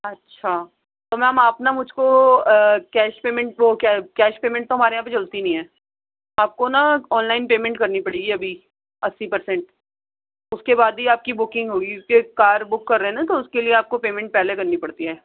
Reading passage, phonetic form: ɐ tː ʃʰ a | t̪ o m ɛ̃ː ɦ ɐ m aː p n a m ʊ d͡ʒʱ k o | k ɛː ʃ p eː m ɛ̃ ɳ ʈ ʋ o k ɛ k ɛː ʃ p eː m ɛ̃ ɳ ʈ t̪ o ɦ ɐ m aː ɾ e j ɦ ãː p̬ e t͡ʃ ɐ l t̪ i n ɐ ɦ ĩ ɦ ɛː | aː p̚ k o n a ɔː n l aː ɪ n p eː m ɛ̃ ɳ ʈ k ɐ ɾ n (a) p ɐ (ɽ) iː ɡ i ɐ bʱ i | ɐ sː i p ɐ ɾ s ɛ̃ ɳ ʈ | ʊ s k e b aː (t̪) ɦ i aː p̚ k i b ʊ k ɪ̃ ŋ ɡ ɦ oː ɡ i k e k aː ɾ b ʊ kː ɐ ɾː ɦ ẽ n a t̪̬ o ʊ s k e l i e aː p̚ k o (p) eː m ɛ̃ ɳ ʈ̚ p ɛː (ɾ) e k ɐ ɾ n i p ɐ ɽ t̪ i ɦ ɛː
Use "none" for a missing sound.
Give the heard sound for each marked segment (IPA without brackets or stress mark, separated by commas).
i, ɽ, d̪, p, l